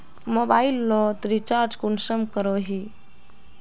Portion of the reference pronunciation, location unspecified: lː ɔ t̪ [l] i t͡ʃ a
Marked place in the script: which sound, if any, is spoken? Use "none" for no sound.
ɾ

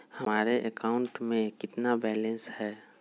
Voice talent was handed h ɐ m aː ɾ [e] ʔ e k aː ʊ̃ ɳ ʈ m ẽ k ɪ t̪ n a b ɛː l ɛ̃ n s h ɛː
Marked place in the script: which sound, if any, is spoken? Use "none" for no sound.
e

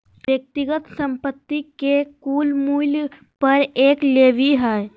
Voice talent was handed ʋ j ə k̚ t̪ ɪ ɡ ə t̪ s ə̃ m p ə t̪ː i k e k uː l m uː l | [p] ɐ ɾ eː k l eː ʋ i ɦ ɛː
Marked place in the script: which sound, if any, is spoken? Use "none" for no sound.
p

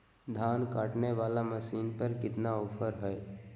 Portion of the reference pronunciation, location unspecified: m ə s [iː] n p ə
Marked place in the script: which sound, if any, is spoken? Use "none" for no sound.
iː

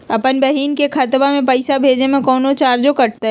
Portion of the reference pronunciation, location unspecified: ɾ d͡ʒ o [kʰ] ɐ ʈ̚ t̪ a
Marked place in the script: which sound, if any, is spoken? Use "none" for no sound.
k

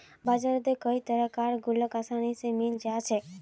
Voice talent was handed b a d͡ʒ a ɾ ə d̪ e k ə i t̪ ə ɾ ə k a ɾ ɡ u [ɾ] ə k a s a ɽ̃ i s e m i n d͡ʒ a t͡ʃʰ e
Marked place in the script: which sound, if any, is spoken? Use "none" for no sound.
l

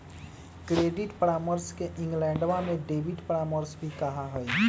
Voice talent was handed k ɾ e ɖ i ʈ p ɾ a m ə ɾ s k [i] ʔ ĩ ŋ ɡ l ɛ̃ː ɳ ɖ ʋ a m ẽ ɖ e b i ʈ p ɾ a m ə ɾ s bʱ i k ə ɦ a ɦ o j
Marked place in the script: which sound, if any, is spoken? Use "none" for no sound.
e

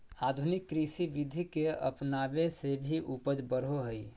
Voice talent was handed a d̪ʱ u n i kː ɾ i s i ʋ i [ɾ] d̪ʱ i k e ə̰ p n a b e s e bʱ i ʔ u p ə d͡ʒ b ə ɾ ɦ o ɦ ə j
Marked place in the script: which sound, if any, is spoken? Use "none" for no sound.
none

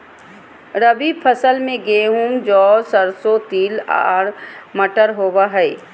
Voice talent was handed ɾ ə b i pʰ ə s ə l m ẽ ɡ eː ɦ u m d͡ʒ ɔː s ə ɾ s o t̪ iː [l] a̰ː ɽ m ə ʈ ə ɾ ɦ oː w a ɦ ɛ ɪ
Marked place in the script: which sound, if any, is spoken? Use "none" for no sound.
l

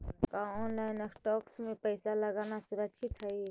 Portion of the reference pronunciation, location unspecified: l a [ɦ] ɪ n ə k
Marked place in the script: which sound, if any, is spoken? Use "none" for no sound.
none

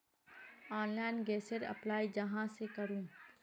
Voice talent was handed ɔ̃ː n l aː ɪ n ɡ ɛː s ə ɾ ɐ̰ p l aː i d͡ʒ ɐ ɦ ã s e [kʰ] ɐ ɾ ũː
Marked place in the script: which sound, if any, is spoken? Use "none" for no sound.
k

